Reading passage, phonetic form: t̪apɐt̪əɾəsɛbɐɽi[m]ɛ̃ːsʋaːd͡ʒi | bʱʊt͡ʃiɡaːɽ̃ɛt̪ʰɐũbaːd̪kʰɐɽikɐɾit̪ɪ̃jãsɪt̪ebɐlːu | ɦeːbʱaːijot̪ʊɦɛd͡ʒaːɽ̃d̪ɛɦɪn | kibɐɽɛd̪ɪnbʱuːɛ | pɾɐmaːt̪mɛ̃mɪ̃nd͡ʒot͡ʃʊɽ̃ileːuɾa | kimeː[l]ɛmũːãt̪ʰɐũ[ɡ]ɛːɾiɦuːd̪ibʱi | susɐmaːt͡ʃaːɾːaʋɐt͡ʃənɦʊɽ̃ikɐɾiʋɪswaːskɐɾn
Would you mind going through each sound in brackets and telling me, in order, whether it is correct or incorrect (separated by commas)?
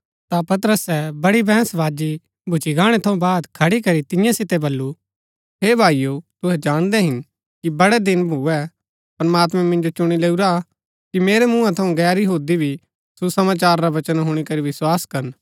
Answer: incorrect, incorrect, correct